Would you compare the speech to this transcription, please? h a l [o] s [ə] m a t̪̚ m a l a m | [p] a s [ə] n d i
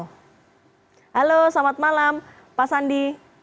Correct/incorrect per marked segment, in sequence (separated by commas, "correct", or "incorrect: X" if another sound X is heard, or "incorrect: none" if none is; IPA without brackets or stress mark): correct, incorrect: a, correct, incorrect: a